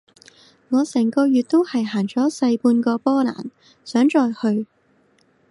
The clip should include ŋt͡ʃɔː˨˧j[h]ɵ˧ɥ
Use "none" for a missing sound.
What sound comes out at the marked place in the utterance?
h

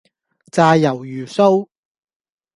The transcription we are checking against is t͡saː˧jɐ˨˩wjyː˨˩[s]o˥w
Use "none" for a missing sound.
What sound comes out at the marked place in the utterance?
s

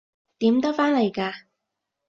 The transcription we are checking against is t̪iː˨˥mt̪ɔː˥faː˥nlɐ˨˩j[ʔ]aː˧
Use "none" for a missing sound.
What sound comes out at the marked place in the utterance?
k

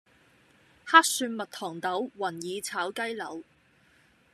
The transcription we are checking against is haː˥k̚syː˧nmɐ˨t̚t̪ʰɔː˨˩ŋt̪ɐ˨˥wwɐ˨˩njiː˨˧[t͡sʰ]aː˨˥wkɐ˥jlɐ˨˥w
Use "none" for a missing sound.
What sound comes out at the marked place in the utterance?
t͡sʰ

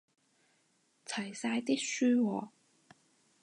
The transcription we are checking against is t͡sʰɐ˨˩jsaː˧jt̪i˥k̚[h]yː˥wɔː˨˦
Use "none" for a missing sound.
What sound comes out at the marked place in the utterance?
s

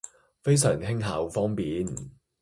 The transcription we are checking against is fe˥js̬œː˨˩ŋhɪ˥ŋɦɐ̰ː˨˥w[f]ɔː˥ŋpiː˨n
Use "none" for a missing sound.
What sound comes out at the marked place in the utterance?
f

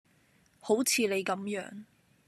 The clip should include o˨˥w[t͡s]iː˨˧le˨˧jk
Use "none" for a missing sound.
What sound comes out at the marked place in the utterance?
t͡sʰ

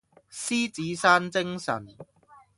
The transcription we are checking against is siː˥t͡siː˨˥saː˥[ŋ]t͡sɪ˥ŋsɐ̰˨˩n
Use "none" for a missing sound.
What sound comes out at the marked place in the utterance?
n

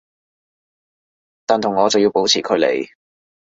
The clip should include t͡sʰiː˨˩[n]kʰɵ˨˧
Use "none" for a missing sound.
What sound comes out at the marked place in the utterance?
none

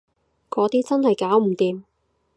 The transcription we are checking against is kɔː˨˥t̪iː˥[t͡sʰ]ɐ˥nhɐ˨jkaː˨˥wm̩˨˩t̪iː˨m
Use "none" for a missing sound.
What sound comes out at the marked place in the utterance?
t͡s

